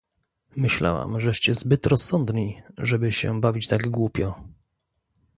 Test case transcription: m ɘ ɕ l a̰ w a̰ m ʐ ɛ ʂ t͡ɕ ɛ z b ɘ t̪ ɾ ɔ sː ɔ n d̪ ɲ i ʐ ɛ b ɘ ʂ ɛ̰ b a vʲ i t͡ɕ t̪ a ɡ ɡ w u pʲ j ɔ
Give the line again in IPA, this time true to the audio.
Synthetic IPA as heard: m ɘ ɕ l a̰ w a̰ m ʐ ɛ ʂ t͡ɕ ɛ z b ɘ t̪ ɾ ɔ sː ɔ n d̪ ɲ i ʐ ɛ b ɘ ɕ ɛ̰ b a vʲ i t͡ɕ t̪ a ɡ ɡ w u pʲ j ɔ